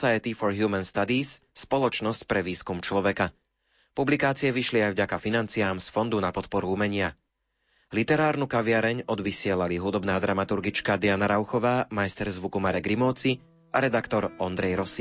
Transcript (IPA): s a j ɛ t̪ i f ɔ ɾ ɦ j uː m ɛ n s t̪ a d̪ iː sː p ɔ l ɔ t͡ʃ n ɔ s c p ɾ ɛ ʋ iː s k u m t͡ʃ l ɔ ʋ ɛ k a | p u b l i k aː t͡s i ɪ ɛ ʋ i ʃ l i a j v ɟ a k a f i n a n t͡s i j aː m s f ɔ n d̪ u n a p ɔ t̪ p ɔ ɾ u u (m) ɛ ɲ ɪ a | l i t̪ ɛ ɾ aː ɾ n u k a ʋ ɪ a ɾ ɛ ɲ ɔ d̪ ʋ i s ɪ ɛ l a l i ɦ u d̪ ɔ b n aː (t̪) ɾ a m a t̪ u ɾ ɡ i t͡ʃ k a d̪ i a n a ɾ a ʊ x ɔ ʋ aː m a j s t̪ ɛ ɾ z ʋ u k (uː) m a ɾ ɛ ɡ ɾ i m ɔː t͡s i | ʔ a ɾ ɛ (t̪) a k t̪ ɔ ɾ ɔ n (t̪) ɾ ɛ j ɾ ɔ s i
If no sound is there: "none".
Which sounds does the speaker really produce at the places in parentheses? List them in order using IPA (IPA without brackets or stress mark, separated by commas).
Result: m, d̪, u, d̪, d̪